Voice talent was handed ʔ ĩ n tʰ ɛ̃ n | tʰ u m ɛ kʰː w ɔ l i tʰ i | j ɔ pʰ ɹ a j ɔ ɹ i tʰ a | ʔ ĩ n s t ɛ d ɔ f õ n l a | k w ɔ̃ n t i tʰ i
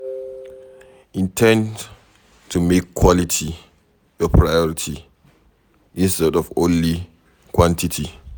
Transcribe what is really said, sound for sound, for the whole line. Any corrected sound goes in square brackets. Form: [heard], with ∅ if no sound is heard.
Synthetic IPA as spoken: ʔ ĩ n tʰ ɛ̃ n | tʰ u m [e] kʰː w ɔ l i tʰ i | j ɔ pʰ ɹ a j ɔ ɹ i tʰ [i] | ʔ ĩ n s t ɛ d ɔ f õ n l [i] | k w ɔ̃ n t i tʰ i